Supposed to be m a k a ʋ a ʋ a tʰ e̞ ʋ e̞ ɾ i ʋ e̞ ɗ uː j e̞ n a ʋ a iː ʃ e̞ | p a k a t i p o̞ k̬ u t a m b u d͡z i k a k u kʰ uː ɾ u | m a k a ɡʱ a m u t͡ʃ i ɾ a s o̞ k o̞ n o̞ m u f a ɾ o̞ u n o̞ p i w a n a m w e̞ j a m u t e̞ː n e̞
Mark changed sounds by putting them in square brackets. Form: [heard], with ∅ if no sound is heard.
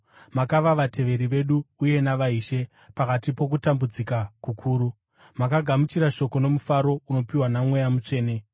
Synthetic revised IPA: m a k a ʋ a ʋ a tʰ e̞ ʋ e̞ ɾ i ʋ e̞ ɗ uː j e̞ n a ʋ a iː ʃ e̞ | p a k a t i p o̞ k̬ u t a m b u d͡z i k a k u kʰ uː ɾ u | m a k a ɡʱ a m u t͡ʃ i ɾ a [ʃ] o̞ k o̞ n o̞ m u f a ɾ o̞ u n o̞ p i w a n a m w e̞ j a m u [t͡ʂ] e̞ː n e̞